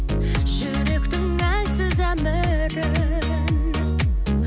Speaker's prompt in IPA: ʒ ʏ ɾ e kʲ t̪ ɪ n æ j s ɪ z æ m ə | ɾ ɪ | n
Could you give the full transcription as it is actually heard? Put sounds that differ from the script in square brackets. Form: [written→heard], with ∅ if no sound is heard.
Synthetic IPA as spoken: ʒ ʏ ɾ e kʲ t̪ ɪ [n→ŋ] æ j s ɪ z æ m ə | ɾ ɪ | n